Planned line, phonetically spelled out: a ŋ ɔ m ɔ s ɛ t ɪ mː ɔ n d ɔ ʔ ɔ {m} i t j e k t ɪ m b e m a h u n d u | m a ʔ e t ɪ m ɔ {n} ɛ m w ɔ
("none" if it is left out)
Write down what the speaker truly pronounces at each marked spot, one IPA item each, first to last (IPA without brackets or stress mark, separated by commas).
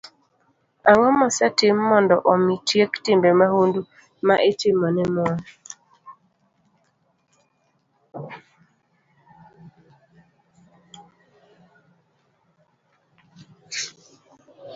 m, n